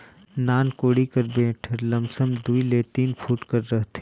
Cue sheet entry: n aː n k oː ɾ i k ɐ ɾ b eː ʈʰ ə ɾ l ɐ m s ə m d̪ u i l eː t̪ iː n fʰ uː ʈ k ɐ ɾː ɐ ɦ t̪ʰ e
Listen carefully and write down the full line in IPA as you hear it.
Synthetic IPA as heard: n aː n k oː ɽ i k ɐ ɾ b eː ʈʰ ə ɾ l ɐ m s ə m d̪ u i l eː t̪ iː n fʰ uː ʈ k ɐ ɾː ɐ ɦ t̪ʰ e